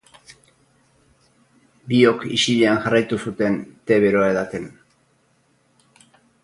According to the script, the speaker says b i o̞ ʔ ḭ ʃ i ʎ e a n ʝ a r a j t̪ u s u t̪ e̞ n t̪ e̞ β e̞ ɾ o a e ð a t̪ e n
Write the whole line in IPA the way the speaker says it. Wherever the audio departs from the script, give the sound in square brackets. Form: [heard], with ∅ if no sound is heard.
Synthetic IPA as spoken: b i o̞ [k] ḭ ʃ i ʎ e a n ʝ a r a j t̪ u s u t̪ e̞ n t̪ e̞ β e̞ ɾ o a e ð a t̪ e n